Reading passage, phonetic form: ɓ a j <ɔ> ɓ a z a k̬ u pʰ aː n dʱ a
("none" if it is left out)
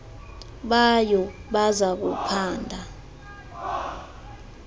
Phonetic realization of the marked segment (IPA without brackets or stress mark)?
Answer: ɔ